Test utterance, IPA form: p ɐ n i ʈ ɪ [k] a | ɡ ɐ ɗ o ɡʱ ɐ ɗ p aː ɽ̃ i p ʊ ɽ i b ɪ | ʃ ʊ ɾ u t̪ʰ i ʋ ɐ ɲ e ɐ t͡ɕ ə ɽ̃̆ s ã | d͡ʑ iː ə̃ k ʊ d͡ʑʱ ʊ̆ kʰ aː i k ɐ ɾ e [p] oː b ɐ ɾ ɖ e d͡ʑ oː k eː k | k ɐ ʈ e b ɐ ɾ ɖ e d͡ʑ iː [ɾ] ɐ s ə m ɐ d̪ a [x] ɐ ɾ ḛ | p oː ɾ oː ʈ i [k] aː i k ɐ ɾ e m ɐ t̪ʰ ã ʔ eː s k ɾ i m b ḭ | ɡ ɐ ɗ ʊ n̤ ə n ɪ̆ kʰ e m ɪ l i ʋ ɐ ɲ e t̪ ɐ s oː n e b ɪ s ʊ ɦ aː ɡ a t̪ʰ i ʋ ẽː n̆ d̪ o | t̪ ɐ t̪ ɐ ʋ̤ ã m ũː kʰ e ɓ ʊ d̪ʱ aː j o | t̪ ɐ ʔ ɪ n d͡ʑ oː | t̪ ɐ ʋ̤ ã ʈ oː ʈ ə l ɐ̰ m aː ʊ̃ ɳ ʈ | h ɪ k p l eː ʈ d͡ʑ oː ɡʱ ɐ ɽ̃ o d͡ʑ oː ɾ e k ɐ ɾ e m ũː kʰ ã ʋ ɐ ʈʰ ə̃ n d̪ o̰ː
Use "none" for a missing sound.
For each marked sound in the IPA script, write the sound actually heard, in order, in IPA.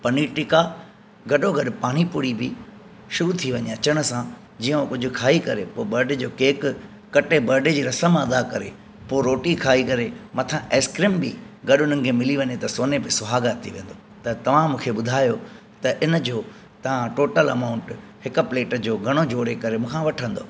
k, p, ɾ, k, kʰ

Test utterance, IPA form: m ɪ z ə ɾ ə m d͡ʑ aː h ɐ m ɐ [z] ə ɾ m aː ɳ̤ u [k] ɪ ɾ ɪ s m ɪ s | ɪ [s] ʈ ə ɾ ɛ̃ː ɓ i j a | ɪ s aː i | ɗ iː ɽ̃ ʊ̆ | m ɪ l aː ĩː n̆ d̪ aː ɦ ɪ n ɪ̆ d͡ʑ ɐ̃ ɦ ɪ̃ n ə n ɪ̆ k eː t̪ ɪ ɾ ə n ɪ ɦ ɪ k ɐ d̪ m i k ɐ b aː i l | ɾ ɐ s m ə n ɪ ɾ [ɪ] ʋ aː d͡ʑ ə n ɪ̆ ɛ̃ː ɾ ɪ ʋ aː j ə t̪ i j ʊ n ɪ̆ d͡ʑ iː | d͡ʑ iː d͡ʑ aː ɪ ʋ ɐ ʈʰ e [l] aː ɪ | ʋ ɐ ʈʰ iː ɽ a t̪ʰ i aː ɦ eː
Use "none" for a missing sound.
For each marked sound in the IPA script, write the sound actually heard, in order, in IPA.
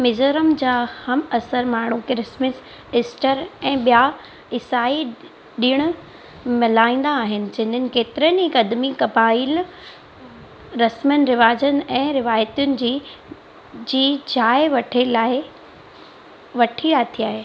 s, k, s, ɪ, l

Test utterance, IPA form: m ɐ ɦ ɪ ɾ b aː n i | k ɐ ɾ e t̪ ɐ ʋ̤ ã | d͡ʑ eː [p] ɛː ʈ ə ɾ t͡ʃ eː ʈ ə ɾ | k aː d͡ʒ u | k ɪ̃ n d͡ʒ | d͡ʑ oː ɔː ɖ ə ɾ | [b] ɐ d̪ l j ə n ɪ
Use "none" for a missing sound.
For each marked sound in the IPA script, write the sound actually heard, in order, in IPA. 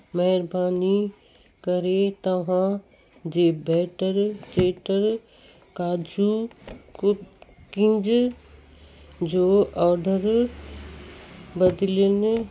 b, b

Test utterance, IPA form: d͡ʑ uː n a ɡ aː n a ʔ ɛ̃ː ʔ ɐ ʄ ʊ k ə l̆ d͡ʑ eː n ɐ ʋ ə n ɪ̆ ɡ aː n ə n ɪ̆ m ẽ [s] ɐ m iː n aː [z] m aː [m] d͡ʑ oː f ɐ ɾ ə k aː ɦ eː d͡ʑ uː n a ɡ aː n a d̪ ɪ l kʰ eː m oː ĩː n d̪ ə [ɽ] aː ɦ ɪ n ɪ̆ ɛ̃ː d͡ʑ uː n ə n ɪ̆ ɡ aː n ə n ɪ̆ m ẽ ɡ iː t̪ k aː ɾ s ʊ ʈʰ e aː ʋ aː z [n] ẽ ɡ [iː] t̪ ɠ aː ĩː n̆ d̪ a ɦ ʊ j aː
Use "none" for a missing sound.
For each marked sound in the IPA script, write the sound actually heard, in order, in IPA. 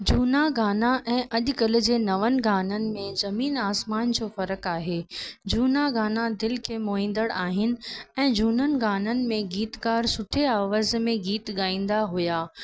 z, s, n, ɽ, m, iː

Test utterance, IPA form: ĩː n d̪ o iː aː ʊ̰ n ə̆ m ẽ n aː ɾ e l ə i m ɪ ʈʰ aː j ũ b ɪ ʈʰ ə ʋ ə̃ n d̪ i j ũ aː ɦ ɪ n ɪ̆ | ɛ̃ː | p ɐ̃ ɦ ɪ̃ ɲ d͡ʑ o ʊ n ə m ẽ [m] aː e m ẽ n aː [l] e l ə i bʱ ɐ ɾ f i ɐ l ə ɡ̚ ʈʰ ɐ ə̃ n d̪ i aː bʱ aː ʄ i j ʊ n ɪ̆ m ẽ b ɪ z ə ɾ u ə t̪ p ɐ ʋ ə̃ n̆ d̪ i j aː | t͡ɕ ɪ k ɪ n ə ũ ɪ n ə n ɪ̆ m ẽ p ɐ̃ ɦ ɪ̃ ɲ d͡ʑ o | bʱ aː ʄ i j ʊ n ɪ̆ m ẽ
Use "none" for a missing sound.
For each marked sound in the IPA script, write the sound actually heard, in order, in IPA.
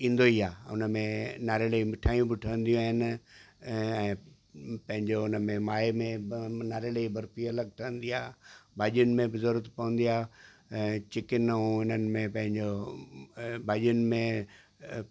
m, ɾ

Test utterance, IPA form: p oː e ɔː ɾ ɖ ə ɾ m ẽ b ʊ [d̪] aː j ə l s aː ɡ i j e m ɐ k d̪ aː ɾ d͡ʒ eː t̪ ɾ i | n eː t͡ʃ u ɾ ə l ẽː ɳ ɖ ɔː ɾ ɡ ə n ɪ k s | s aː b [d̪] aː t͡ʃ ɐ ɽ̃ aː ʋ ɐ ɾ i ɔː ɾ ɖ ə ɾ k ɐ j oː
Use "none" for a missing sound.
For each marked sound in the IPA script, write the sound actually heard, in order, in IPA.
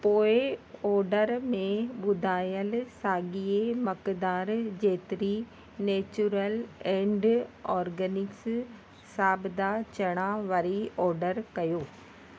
d̪, d̪

